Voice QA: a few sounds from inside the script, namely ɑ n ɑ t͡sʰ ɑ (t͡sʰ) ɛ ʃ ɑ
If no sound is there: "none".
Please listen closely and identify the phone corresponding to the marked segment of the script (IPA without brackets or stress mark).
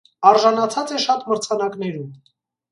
t͡s